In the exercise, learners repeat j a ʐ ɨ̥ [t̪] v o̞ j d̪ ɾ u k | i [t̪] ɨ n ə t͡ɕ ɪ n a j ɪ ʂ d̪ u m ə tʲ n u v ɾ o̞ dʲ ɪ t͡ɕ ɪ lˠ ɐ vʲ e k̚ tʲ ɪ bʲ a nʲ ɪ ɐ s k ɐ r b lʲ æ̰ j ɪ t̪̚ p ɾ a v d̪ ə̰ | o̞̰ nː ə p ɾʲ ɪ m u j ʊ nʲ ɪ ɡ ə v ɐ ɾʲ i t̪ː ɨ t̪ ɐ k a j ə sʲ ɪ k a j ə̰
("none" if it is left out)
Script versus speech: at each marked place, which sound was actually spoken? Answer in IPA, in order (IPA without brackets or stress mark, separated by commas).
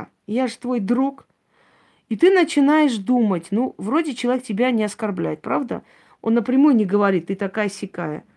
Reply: t̪, t̪